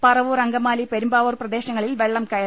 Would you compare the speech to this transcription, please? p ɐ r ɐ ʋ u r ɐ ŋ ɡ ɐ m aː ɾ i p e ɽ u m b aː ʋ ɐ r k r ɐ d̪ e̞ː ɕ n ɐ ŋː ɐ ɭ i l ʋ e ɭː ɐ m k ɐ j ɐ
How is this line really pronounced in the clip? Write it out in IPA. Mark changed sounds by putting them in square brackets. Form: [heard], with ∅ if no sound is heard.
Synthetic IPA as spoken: p ɐ r ɐ ʋ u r ɐ ŋ ɡ ɐ m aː [l] i p e [ɾ] u m b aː ʋ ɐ r [p] r ɐ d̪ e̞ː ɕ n ɐ ŋː ɐ ɭ i l ʋ e ɭː ɐ m k ɐ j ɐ